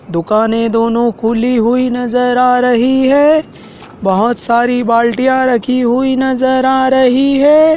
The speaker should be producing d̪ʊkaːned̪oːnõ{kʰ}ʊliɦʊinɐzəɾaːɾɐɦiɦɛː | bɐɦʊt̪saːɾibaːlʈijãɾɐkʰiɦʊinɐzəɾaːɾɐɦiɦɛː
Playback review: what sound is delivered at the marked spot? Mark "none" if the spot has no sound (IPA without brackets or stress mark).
kʰ